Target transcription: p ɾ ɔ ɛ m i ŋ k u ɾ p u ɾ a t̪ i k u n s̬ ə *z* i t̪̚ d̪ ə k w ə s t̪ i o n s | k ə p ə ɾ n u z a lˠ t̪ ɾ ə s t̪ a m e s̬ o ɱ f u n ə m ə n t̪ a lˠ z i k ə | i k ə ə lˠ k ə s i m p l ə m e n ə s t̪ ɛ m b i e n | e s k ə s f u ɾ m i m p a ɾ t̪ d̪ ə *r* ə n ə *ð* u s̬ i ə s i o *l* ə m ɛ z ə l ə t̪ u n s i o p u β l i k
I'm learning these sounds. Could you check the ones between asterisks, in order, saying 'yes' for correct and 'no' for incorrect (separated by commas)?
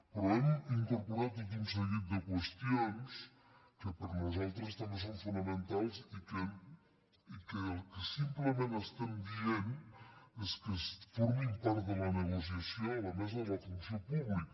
no, no, no, yes